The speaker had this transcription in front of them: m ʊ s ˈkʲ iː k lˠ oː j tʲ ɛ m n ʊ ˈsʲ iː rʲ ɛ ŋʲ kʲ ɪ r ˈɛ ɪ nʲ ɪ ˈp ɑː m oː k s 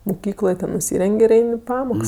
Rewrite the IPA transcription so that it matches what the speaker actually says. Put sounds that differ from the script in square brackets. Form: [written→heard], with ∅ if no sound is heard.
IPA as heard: m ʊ [s→∅] ˈkʲ iː k lˠ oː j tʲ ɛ [m→n] n ʊ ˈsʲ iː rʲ ɛ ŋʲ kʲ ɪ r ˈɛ ɪ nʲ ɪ ˈp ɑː m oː k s